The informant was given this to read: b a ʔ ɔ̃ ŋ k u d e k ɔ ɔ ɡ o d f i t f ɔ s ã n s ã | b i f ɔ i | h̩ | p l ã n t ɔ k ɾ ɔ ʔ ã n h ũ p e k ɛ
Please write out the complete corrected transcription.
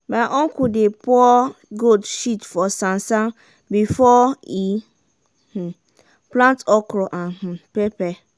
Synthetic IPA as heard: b a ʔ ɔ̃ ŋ k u d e p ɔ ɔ ɡ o d ʃ i t f ɔ s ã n s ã | b i f ɔ i | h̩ | p l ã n t ɔ k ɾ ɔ ʔ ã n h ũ p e p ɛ